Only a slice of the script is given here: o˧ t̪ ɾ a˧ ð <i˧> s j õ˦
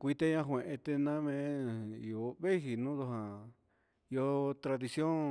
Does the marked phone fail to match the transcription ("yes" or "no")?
no